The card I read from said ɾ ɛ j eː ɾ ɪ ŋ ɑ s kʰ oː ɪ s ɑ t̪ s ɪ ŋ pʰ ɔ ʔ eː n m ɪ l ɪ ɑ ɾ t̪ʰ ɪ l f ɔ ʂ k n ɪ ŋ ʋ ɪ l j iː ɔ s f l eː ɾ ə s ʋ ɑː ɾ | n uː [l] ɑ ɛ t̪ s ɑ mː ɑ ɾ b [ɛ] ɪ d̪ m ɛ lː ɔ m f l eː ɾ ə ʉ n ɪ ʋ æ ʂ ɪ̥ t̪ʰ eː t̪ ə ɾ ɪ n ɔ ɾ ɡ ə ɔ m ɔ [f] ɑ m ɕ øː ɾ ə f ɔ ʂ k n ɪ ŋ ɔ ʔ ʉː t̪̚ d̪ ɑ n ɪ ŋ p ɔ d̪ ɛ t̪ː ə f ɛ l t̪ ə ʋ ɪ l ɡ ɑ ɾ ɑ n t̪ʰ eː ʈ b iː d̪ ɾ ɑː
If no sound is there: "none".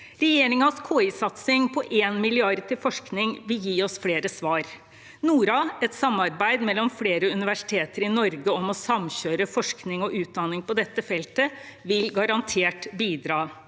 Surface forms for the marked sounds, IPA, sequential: ɾ, æ, s

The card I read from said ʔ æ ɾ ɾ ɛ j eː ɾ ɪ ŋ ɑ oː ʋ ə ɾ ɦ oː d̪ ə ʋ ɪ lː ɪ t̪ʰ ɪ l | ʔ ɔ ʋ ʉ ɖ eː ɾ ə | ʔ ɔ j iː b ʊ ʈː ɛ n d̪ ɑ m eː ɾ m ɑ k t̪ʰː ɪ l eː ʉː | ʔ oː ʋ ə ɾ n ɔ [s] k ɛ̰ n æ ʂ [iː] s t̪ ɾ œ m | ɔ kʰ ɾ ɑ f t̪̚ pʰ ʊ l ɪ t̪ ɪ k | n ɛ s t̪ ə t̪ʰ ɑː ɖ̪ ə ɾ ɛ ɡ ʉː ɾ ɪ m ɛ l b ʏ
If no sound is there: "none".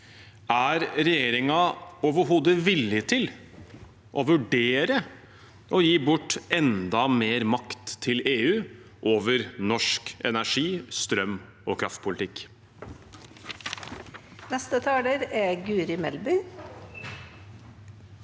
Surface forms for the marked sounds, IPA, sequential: ʂ, iː

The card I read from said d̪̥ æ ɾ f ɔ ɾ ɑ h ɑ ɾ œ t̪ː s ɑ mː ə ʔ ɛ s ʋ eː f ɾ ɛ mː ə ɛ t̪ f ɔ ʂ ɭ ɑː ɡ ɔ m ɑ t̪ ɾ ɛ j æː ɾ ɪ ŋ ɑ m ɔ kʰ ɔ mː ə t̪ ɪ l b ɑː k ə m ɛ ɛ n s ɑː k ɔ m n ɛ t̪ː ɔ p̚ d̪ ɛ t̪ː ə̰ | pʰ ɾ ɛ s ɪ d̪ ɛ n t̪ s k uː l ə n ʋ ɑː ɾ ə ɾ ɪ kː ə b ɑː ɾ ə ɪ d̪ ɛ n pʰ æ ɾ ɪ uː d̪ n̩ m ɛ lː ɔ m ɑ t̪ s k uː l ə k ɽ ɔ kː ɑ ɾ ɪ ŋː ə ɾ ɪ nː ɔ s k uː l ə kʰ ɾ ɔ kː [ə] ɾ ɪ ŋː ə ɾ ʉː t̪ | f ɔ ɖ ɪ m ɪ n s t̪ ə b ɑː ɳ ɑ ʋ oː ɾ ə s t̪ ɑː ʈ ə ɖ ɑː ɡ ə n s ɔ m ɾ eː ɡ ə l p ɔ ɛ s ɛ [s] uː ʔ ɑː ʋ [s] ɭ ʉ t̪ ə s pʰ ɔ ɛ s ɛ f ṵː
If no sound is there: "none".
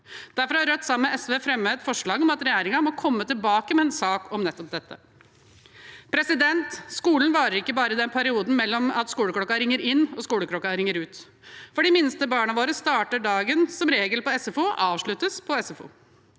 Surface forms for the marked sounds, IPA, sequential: ɑ, f, ʂ

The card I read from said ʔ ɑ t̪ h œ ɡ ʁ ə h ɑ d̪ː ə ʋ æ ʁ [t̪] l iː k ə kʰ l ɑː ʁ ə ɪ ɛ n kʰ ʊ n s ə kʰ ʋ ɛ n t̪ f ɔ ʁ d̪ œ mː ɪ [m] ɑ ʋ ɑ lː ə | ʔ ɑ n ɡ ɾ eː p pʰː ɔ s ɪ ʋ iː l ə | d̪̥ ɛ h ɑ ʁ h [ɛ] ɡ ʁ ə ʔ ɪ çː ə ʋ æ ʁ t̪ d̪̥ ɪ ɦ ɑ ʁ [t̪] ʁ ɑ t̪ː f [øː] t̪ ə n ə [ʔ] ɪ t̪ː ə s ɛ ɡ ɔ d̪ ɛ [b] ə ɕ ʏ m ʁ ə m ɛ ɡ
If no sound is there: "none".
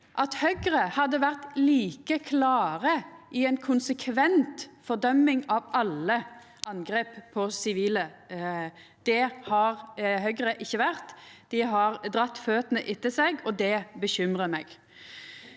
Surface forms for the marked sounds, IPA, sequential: t̪, ŋ, œ, d̪, øː, ʔ, b

